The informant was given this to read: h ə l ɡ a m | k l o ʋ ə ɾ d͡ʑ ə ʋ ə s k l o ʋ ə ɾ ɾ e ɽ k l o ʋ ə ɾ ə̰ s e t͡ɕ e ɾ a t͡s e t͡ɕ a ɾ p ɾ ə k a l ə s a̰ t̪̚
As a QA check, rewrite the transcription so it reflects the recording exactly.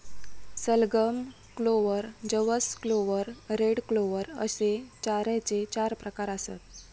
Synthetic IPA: s ə l ɡ ə m | k l o ʋ ə ɾ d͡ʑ ə ʋ ə s k l o ʋ ə ɾ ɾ e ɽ k l o ʋ ə ɾ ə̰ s e t͡ɕ a ɾ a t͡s e t͡ɕ a ɾ p ɾ ə k a ɾ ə s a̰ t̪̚